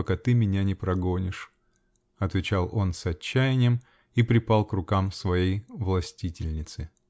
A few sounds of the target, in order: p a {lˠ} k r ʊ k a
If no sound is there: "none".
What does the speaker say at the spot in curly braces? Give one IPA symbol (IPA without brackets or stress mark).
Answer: lˠ